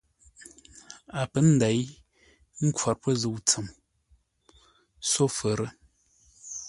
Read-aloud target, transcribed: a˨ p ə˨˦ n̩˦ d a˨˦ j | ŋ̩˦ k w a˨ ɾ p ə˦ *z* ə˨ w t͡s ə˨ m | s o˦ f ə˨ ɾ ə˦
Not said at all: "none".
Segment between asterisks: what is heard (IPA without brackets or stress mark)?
z